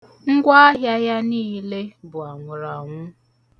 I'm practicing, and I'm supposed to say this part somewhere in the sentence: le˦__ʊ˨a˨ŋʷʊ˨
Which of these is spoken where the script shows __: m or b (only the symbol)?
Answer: b